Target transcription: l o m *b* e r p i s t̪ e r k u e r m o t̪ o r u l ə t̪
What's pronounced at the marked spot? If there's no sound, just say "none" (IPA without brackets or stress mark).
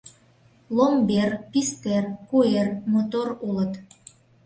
b